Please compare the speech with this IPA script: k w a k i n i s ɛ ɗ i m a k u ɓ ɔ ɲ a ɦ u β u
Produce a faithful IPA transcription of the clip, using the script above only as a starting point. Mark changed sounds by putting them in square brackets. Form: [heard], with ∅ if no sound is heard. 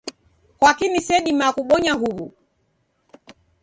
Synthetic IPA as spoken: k w a k i n i s ɛ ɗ i m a k u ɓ ɔ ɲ a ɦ u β u

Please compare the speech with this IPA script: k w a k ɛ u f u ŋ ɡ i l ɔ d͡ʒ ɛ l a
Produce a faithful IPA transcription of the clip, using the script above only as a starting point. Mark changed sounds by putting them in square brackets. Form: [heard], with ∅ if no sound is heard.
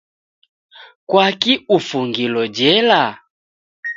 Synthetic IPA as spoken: k w a k [i] u f u ŋ ɡ i l ɔ d͡ʒ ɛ l a

